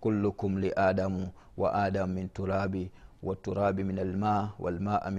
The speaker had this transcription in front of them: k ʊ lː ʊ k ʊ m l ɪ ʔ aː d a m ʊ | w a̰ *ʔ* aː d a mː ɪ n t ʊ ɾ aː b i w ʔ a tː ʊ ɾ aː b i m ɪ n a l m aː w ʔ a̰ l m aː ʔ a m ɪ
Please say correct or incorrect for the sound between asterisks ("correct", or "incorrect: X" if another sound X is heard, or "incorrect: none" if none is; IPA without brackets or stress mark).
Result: correct